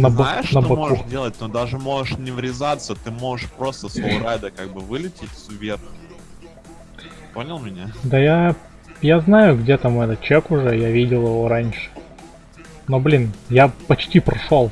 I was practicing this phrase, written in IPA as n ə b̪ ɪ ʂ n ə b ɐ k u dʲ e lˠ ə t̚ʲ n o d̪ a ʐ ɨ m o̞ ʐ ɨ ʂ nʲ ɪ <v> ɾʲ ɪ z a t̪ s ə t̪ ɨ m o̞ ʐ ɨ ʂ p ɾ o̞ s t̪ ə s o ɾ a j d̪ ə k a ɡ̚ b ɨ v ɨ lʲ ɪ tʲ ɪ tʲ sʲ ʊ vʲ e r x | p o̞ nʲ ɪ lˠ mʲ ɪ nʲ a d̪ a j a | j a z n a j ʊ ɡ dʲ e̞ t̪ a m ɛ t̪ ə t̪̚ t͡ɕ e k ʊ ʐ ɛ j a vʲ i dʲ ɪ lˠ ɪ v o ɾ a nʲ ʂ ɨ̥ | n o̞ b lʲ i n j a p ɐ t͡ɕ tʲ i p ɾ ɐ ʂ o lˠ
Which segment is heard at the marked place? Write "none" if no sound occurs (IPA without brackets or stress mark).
v